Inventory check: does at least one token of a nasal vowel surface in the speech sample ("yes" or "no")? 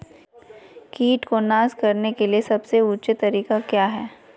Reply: no